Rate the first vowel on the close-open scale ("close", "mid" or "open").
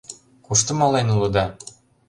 close